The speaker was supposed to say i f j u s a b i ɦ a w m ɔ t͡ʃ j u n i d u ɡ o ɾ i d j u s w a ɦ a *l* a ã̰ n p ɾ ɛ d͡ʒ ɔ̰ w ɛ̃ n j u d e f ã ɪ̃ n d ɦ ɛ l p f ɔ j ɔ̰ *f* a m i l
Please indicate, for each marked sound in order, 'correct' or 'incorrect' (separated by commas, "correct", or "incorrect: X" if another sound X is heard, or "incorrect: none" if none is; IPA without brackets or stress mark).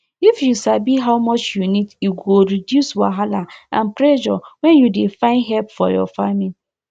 correct, correct